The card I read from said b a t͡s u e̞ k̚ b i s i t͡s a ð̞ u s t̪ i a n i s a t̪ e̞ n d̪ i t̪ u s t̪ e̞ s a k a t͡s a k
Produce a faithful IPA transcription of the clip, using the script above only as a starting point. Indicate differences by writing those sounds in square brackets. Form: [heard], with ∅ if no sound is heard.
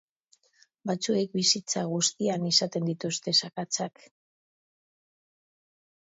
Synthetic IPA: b a t͡s u e̞ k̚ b i s i t͡s a [ɣ̞] u s t̪ i a n i s a t̪ e̞ n d̪ i t̪ u s t̪ e̞ s a k a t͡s a k